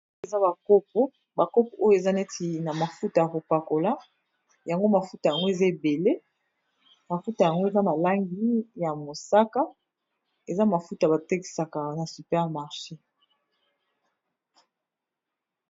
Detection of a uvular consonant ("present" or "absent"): present